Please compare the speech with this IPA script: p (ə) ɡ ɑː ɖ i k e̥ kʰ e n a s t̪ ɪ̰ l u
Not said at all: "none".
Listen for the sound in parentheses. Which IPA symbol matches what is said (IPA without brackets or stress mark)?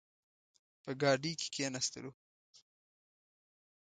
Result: ə